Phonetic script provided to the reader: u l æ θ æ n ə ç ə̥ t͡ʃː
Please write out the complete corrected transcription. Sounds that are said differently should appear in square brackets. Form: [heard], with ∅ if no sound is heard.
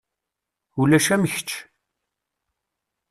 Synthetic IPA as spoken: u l æ [ʃ] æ [m] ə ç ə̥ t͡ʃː

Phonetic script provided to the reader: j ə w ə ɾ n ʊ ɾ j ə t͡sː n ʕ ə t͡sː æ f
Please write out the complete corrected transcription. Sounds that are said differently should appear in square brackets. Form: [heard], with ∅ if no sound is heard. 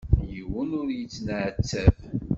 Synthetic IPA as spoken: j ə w ə [∅] n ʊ ɾ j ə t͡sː n ʕ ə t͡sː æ [v]

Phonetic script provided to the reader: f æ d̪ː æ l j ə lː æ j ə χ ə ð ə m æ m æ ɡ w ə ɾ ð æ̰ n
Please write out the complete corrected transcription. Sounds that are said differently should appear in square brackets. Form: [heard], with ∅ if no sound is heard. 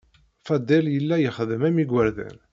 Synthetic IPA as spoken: f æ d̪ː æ l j ə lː æ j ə χ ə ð ə m æ m [i] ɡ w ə ɾ ð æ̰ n

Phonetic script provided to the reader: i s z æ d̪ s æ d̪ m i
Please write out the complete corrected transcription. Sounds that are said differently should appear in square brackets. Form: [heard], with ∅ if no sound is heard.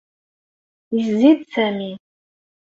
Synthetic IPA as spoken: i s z [i] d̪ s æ [∅] m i

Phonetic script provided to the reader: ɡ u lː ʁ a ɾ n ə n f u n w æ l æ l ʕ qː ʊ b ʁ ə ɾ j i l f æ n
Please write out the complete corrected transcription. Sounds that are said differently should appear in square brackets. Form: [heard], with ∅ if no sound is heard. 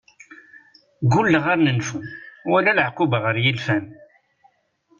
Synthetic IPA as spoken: ɡ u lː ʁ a ɾ n ə n f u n w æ l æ l ʕ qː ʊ b ʁ ə ɾ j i l f æ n

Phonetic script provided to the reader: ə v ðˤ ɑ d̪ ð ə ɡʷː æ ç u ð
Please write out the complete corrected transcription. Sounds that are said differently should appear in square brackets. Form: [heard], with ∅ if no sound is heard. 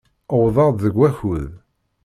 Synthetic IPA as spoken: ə [w] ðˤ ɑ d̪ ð ə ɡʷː æ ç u ð

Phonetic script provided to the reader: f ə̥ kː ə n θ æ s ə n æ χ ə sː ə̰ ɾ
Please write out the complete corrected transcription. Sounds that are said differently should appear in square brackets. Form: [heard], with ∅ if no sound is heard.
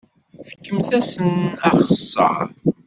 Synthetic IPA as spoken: f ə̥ kː ə [m] θ æ s ə n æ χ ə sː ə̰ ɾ

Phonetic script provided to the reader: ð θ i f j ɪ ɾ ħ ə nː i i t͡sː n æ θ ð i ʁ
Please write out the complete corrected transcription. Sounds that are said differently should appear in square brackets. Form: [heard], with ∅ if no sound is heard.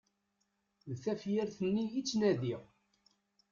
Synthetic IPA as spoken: ð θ [æ] f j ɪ ɾ [θ] ə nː i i t͡sː n æ [∅] ð i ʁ

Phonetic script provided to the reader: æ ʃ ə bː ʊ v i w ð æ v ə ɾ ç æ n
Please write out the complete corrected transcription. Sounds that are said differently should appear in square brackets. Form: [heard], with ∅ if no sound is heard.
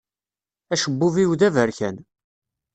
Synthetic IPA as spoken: æ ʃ ə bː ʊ v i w ð æ v ə ɾ ç æ n

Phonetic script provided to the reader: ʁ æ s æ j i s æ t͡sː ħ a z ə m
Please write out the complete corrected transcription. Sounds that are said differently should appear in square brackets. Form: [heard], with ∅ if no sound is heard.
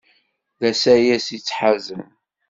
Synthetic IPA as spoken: [ð] æ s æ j [æ] s [i] t͡sː ħ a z ə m

